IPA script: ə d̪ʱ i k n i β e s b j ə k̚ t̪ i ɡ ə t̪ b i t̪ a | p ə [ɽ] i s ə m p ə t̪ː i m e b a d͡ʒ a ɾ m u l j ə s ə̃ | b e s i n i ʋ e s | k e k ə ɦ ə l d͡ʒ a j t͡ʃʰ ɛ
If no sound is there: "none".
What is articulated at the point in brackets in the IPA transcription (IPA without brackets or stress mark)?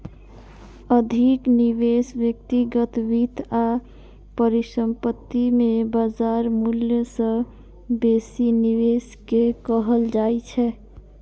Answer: ɾ